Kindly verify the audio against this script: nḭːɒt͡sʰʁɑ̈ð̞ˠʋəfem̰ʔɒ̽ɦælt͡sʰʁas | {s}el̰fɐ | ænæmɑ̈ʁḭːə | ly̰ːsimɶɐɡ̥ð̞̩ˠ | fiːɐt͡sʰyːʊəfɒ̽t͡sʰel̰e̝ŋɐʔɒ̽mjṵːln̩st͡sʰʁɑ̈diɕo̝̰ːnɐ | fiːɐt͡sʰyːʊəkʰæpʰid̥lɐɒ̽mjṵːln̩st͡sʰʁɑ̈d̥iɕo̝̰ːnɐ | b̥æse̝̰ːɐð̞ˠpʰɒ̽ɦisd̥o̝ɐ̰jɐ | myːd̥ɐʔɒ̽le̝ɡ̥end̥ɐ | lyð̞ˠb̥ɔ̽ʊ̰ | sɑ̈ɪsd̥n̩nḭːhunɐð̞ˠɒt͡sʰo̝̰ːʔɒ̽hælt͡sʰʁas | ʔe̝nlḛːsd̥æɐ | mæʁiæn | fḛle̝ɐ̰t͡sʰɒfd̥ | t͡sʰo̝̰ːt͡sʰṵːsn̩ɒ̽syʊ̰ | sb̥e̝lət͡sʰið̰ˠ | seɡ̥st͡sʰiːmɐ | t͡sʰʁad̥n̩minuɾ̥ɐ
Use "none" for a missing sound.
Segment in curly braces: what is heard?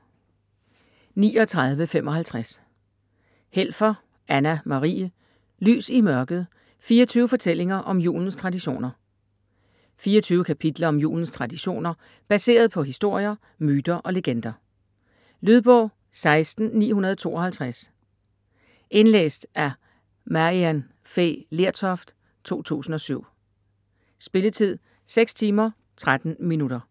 h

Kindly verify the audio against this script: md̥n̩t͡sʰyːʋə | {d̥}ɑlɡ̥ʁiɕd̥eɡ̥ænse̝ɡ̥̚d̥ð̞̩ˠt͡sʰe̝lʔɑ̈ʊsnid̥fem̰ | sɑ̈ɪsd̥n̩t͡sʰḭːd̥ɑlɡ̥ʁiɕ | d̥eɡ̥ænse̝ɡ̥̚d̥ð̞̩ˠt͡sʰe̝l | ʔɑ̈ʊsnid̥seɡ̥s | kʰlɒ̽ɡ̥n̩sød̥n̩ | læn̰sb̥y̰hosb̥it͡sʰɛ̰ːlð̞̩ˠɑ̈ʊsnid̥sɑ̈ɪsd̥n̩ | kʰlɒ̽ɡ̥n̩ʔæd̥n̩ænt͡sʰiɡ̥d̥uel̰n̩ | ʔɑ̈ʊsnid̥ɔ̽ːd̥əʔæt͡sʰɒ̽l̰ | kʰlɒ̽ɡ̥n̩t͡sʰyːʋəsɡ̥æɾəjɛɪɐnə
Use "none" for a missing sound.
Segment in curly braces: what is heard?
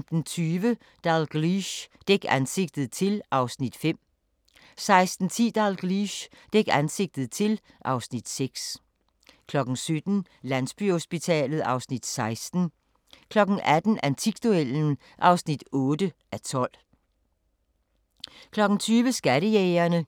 d̥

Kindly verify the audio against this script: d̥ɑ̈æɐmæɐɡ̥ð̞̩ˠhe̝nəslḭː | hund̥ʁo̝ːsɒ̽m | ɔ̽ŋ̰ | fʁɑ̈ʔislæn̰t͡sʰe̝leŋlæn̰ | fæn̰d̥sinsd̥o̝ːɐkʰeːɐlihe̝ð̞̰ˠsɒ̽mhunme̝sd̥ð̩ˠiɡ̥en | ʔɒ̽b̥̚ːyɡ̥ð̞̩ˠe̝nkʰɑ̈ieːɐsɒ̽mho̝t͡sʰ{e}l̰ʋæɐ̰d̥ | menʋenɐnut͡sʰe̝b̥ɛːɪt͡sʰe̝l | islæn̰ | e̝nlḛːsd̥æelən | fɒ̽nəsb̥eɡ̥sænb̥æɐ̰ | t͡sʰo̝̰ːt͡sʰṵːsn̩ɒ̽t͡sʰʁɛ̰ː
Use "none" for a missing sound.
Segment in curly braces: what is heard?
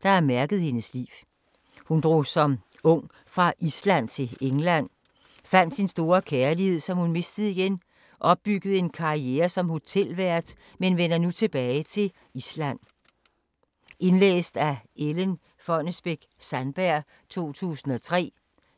e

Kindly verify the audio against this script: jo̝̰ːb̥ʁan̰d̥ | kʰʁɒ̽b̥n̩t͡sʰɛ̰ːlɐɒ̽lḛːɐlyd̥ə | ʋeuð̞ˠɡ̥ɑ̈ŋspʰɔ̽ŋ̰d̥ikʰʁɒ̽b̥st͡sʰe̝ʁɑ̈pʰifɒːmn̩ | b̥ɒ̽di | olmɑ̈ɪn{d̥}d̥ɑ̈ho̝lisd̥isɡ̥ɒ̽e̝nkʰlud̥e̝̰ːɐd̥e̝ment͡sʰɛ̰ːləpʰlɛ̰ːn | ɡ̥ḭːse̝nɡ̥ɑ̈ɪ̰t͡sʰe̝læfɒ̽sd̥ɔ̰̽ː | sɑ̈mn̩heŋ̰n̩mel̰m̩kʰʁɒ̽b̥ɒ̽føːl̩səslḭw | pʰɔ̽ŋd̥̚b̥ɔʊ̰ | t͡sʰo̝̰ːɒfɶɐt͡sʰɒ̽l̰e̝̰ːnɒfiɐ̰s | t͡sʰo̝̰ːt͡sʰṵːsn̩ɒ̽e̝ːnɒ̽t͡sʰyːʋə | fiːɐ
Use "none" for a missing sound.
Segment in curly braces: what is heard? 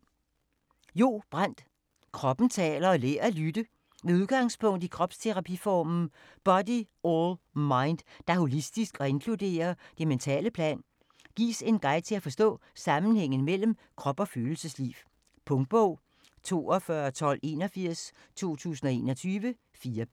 d̥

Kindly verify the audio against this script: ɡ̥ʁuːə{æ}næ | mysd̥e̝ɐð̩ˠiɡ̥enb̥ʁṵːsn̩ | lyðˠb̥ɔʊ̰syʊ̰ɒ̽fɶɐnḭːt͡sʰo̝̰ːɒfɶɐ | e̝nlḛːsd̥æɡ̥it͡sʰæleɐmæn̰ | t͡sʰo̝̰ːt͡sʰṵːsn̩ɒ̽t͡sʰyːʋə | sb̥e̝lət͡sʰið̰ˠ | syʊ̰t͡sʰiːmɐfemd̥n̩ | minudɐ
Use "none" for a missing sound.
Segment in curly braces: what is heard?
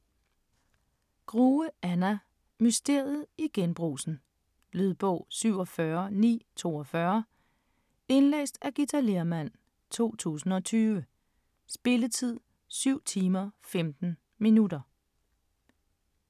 æ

